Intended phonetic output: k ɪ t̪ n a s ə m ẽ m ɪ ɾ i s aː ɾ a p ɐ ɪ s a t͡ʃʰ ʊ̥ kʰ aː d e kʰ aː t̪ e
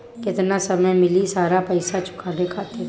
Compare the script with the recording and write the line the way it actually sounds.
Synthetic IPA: k ɪ t̪ n a s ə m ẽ m ɪ l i s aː ɾ a p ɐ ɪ s a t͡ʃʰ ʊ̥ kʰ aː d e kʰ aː t̪ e